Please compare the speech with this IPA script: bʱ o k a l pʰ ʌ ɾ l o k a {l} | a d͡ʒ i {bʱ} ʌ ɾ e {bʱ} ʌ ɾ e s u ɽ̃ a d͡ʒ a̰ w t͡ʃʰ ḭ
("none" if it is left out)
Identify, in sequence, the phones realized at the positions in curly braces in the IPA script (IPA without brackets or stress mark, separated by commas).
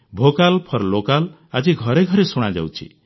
l, ɡʱ, ɡʱ